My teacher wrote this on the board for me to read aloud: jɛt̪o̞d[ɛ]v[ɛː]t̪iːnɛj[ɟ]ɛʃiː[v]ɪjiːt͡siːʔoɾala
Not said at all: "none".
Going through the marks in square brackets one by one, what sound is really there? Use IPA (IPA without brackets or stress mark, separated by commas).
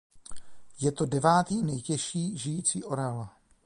ɛ, aː, c, ʒ